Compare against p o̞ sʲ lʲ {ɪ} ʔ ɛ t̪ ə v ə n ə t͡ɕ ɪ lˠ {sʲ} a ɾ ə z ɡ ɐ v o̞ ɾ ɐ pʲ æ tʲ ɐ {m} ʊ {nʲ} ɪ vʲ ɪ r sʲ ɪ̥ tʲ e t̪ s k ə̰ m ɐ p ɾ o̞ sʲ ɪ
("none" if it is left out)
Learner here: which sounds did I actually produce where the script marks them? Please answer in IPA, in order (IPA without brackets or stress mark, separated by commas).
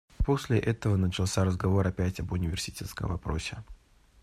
ɪ, sʲ, b, nʲ